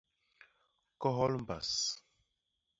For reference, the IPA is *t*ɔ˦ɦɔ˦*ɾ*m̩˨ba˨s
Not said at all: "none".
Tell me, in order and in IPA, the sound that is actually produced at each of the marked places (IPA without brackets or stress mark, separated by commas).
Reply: k, l